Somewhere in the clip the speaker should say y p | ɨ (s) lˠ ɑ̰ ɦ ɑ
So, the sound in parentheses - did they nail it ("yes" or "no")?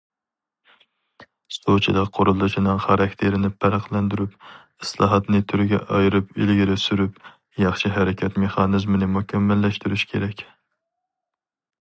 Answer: yes